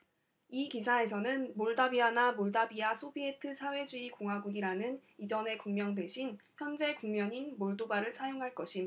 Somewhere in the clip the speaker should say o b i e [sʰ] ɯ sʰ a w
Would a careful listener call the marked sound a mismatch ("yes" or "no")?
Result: yes